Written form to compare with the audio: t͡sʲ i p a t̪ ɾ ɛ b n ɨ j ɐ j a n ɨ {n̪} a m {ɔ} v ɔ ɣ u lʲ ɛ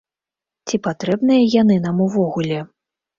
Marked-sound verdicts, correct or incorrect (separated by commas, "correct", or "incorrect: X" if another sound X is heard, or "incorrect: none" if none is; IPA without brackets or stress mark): correct, incorrect: u